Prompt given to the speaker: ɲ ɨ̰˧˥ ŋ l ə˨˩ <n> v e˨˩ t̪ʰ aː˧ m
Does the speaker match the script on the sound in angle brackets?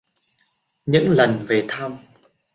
yes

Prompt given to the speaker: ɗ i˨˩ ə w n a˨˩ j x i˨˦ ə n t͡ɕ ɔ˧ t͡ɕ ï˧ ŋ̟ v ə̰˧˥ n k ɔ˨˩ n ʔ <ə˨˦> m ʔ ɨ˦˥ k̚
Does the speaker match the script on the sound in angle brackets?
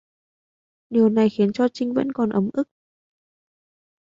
yes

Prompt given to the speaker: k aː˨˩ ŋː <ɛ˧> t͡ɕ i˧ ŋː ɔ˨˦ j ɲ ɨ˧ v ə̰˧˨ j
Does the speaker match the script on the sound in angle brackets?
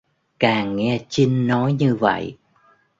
yes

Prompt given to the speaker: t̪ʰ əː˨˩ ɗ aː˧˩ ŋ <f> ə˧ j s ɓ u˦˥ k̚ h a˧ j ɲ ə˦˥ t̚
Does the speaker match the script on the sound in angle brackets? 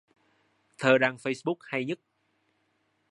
yes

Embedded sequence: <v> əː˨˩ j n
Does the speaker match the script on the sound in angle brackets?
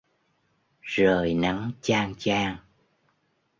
no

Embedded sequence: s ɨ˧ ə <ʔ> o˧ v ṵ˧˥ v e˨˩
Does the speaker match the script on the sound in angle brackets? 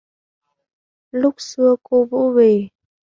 no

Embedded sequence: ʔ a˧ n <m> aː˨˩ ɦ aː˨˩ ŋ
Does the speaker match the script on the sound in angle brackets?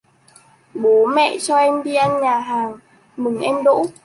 no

